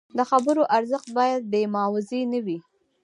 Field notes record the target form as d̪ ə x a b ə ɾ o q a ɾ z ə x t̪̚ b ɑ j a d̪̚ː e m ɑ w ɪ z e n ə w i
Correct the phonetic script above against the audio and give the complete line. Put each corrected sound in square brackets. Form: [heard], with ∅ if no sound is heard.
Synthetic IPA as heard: d̪ ə x a b ə ɾ o [ʔ] a ɾ z ə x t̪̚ b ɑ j a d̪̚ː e m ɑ w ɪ z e n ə w i